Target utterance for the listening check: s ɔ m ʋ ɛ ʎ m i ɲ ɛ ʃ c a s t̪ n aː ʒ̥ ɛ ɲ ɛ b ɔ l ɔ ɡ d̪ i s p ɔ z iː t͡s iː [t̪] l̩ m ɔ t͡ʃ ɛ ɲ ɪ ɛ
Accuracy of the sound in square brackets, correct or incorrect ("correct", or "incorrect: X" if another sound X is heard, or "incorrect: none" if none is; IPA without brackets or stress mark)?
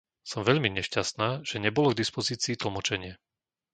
correct